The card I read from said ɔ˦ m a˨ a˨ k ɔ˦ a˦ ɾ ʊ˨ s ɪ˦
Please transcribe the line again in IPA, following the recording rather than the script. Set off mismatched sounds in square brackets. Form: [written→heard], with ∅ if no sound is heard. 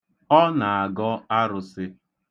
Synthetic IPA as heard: ɔ˦ [m→n] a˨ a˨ [k→ɡ] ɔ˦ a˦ ɾ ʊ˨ s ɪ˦